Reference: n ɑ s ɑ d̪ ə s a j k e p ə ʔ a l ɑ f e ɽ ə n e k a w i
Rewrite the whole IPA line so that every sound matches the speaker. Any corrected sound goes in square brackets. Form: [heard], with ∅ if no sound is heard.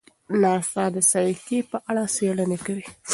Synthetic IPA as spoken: n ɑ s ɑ d̪ ə s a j k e p ə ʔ a [ɽ] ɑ [s] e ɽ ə n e k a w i